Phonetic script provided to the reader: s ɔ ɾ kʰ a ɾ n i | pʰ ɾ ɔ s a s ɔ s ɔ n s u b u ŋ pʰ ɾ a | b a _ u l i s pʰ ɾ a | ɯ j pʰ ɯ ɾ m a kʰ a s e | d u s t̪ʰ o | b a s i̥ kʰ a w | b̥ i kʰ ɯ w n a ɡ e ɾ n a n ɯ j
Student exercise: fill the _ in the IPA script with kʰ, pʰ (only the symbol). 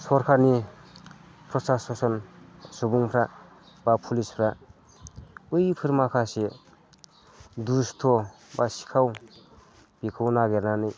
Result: pʰ